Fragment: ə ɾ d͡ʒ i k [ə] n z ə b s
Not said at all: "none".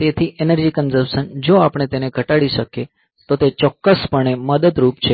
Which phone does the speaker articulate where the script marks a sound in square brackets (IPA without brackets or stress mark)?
ə